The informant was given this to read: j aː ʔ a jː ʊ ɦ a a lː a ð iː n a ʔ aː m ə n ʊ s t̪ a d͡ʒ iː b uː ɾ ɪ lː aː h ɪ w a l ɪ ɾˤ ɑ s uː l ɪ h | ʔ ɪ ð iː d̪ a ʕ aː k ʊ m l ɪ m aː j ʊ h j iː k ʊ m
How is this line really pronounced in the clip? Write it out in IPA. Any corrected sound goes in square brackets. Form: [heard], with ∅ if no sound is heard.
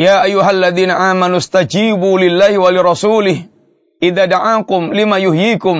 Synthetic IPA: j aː ʔ a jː ʊ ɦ a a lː a ð iː n a ʔ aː m [a] n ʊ s t̪ a d͡ʒ iː b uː [l] ɪ lː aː h ɪ w a l ɪ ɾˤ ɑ s uː l ɪ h | ʔ ɪ ð [aː] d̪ a ʕ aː k ʊ m l ɪ m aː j ʊ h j iː k ʊ m